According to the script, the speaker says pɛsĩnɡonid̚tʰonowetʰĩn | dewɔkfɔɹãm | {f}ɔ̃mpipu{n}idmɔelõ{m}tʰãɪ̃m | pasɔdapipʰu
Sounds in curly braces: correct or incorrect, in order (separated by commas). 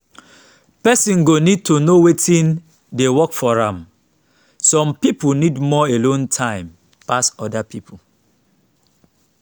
incorrect, correct, incorrect